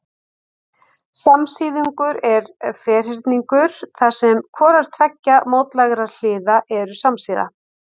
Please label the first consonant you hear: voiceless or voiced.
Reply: voiceless